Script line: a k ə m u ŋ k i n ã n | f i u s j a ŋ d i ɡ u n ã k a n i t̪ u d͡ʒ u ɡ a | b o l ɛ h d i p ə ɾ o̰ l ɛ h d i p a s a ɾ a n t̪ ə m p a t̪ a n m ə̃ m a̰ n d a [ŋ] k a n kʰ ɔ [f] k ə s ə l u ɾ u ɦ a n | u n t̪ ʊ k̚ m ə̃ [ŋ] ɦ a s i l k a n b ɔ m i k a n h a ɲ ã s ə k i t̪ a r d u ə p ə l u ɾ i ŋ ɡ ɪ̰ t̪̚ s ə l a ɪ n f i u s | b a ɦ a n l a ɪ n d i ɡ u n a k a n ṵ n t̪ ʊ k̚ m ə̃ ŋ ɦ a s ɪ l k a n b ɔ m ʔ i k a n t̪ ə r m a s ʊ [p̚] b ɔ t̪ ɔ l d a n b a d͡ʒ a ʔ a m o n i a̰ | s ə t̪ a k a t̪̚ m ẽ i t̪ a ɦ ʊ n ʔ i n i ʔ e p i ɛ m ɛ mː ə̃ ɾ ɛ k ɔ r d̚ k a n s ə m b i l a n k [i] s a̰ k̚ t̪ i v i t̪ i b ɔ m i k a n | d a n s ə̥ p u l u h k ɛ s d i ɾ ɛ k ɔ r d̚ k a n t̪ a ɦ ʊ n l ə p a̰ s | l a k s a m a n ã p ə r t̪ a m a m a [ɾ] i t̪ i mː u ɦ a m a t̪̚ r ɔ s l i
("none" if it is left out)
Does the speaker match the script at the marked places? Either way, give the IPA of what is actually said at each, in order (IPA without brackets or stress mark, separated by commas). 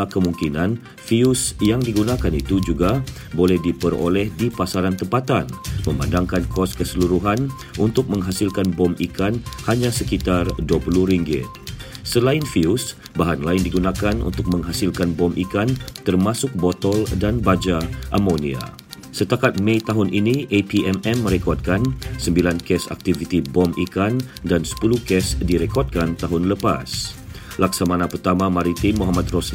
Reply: ŋ, s, ŋ, k̚, ɛ, ɾ